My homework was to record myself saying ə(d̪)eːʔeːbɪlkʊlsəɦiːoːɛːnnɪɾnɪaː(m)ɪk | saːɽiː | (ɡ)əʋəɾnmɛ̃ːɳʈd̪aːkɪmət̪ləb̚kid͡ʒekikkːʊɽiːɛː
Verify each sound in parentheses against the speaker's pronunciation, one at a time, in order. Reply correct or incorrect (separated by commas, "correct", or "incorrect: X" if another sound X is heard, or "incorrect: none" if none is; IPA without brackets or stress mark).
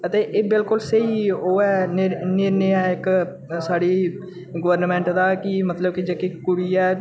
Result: incorrect: t̪, incorrect: none, correct